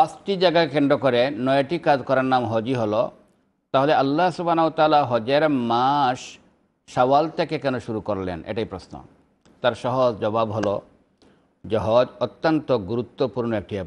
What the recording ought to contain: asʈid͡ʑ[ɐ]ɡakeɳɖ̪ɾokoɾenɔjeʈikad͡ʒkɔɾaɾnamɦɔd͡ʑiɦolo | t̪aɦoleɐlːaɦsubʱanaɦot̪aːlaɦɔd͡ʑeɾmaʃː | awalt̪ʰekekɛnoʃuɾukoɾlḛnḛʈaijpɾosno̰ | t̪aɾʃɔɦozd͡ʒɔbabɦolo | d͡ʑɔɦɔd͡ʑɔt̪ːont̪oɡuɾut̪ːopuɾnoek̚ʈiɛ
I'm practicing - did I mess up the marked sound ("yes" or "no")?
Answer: yes